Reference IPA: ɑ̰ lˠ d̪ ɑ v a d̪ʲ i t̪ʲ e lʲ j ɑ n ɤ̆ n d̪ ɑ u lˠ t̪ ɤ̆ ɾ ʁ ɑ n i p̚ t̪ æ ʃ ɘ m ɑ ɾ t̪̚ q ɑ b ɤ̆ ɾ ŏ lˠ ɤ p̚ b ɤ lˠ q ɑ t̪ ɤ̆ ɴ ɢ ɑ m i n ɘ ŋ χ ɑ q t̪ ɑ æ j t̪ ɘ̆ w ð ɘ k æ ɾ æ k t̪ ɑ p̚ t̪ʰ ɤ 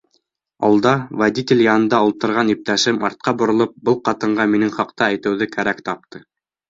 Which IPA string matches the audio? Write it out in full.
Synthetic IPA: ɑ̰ lˠ d̪ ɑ v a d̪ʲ i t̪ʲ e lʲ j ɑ n ɤ̆ n d̪ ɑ u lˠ t̪ ɤ̆ ɾ ʁ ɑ n i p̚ t̪ æ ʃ ɘ m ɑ ɾ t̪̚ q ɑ b ŏ ɾ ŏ lˠ ɤ p̚ b ɤ lˠ q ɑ t̪ ɤ̆ ɴ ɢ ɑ m i n ɘ ŋ χ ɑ q t̪ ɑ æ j t̪ ɘ̆ w ð ɘ k æ ɾ æ k t̪ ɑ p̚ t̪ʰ ɤ